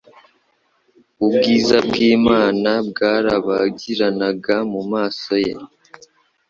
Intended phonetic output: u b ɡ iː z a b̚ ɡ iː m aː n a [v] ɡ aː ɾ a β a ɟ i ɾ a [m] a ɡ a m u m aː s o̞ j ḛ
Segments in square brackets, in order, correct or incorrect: incorrect: b, incorrect: n

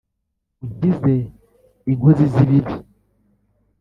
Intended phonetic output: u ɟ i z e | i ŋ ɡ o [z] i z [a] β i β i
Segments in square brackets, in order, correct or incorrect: correct, incorrect: i

